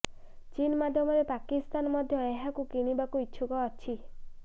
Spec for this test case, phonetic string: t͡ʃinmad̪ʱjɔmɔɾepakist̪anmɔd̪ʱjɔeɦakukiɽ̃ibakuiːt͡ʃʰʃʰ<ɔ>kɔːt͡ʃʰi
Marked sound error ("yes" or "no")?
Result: yes